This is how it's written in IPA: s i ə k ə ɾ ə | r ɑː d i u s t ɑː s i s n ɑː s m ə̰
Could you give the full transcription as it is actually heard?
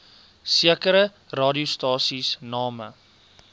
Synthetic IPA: s i ə k ə ɾ ə | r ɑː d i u s t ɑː s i s n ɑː m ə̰